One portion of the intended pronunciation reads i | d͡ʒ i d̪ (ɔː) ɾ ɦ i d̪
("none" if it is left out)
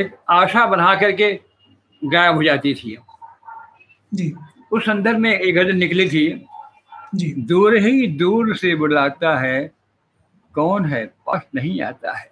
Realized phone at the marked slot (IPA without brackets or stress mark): uː